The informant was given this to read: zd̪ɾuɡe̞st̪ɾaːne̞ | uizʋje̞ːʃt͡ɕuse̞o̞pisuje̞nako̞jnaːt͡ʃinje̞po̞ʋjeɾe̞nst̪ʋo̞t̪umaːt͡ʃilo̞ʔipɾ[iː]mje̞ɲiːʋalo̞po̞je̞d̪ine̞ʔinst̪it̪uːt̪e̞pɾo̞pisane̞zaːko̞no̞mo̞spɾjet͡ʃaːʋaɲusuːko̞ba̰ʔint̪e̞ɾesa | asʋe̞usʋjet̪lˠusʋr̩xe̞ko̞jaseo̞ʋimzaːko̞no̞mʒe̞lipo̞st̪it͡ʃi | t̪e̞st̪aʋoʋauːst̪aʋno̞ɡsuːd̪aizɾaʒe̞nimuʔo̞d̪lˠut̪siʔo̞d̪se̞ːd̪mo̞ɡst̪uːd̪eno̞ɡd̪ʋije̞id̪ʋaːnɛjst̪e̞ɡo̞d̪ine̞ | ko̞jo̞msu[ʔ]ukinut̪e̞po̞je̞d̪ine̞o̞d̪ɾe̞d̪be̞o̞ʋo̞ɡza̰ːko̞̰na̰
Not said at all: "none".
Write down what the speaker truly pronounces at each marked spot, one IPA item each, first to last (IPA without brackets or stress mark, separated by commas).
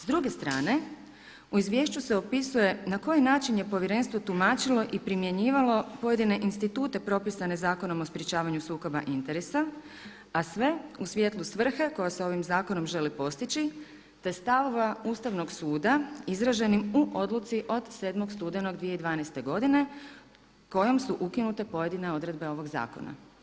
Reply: i, ʔ